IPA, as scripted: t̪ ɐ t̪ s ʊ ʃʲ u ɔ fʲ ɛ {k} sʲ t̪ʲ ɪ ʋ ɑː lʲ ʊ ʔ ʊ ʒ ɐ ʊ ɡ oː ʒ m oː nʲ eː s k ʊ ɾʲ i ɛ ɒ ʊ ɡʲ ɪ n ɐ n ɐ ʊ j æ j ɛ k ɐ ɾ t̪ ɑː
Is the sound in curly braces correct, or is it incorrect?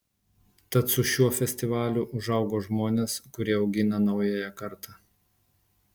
incorrect